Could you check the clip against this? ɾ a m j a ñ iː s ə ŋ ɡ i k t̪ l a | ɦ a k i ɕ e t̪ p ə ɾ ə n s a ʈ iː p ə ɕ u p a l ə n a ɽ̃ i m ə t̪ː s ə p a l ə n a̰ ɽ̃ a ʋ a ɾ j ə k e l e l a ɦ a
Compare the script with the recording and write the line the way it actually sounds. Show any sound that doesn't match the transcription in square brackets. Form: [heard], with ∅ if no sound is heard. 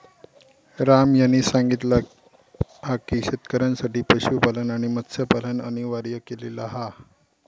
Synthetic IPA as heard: ɾ a m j a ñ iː s [a] ŋ ɡ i [∅] t̪ l a | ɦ a k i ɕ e t̪ [k] ə ɾ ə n s a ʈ iː p ə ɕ u p a l ə n a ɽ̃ i m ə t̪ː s ə p a l ə n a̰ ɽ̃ [i] ʋ a ɾ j ə k e l e l a ɦ a